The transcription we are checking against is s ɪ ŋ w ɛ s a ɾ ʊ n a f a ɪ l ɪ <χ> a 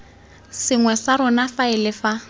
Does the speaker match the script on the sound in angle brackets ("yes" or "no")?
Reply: no